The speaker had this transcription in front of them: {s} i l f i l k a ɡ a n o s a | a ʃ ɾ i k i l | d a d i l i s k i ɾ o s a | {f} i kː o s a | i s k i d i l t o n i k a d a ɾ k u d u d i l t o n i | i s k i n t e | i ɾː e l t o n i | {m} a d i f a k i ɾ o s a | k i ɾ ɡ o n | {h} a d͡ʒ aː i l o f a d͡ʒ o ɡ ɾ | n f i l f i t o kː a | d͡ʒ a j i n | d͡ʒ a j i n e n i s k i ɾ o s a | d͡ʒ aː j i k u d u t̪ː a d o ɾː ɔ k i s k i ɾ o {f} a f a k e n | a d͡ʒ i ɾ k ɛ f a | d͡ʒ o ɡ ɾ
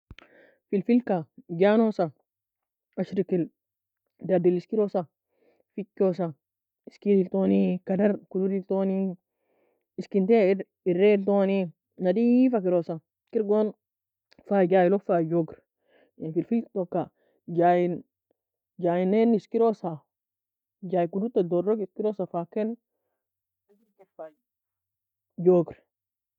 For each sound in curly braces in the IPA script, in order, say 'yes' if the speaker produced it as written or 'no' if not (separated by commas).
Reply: no, yes, no, no, no